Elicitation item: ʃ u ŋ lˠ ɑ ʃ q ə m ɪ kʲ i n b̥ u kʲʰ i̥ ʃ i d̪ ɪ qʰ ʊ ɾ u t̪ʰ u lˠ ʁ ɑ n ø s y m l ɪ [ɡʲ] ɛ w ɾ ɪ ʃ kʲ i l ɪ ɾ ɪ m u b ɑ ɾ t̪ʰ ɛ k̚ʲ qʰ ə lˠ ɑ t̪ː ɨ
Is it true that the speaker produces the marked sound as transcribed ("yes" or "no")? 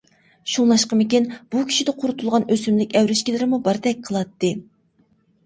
no